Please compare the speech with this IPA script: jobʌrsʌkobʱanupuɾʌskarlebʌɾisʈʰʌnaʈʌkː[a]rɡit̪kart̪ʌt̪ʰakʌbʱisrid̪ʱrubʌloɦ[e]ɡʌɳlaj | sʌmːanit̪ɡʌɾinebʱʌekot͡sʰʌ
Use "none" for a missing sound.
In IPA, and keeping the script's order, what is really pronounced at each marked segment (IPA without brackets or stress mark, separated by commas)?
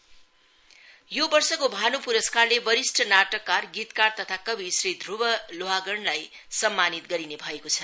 a, a